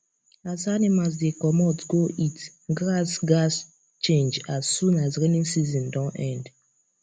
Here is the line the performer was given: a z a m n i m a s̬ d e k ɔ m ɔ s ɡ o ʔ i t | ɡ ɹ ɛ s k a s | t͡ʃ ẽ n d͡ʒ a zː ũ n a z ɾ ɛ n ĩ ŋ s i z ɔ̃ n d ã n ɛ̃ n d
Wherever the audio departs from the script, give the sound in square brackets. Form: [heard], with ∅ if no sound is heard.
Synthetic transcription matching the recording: a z a [∅] n i m a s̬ d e k ɔ m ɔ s ɡ o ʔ i t | ɡ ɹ [a] s [ɡ] a s | t͡ʃ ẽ n d͡ʒ a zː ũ n a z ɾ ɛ n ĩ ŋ s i z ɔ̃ n d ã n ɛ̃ n d